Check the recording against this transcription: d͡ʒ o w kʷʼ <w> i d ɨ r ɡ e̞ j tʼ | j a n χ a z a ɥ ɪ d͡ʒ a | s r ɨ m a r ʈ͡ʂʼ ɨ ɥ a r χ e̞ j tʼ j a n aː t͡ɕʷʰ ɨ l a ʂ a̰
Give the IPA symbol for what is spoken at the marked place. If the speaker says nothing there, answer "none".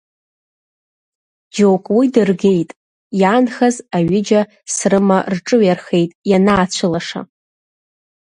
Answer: w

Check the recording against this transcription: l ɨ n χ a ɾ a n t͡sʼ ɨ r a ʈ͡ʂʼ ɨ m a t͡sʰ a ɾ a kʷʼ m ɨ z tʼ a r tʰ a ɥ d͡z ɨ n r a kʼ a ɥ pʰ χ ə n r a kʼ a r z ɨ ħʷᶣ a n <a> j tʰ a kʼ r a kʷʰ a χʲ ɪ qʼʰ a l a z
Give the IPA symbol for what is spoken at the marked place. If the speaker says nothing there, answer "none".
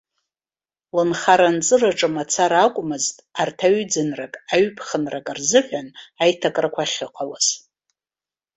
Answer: a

